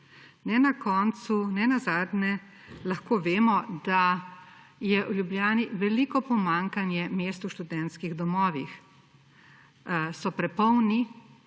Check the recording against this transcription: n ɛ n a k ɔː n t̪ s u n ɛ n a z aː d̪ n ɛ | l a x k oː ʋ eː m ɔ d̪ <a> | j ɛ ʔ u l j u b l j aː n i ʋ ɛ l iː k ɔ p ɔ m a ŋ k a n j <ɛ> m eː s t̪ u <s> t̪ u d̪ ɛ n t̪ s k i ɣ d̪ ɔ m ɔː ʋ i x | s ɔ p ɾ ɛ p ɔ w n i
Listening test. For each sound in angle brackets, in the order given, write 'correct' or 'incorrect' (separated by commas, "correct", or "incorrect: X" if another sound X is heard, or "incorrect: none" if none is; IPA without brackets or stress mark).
correct, correct, incorrect: ʃ